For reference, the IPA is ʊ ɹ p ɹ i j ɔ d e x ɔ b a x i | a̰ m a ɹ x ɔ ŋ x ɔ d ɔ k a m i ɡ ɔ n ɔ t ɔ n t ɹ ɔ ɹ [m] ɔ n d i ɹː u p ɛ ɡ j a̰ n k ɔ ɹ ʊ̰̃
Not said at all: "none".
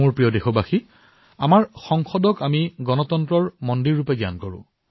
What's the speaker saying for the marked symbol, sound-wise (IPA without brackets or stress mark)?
m